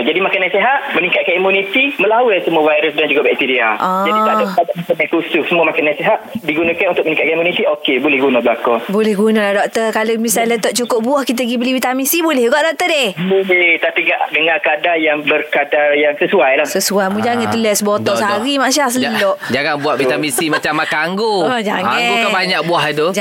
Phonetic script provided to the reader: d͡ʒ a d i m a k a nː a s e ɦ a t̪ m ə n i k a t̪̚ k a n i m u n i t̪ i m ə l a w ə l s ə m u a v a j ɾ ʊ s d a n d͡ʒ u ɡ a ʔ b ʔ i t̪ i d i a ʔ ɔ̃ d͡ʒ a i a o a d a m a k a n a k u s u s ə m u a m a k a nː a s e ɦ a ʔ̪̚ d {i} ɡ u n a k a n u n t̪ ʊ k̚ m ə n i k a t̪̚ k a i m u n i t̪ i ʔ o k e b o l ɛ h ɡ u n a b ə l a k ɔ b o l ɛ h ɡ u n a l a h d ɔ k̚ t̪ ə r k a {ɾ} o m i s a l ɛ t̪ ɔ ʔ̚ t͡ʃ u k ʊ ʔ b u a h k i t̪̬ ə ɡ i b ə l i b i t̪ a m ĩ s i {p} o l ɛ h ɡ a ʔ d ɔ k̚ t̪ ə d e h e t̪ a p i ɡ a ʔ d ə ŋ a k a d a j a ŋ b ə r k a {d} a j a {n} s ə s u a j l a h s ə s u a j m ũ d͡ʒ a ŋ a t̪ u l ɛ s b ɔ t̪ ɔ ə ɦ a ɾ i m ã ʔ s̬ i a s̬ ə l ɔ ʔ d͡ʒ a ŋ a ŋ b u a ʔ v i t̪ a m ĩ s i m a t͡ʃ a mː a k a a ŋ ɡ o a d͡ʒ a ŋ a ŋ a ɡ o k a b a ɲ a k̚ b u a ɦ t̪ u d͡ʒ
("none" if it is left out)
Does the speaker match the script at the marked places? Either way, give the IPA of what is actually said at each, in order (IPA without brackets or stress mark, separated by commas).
i, l, b, d, ŋ